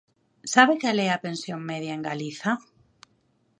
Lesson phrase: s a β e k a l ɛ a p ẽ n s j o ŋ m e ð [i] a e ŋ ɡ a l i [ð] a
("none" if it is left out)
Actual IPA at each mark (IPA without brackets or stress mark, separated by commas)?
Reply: j, θ